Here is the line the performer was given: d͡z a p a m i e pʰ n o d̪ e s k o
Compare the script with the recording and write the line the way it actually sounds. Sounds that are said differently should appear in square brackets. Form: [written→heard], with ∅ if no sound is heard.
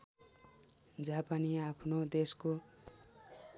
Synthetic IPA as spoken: d͡z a p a [m→n] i [e→a] pʰ n o d̪ e s k o